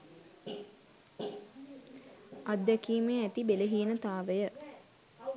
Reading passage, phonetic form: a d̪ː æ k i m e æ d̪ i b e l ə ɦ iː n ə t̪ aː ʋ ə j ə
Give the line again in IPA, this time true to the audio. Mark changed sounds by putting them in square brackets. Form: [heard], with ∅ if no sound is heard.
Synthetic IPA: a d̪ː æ k [iː] m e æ [t̪] i b e l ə ɦ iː n ə t̪ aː ʋ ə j ə